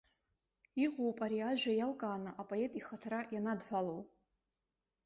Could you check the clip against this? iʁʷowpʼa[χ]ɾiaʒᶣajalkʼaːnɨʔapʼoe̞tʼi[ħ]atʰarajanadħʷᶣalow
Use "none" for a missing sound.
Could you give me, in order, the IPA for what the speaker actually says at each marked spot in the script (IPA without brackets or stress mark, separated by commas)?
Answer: none, χ